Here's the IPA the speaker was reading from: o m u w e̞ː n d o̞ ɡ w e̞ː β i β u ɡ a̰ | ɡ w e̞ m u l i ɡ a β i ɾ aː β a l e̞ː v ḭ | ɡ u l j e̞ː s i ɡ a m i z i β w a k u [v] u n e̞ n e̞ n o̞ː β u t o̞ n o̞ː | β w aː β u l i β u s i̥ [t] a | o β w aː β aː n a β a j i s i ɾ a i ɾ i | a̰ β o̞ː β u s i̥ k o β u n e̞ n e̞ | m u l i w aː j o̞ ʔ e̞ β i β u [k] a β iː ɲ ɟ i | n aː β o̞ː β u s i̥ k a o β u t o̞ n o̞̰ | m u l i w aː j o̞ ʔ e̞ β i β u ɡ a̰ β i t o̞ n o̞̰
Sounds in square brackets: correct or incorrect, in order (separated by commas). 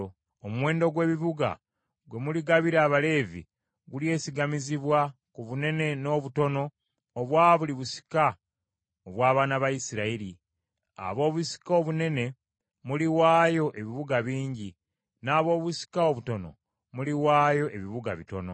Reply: incorrect, incorrect, incorrect